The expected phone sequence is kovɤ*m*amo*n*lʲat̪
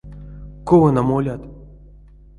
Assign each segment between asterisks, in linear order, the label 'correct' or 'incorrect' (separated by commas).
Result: incorrect, incorrect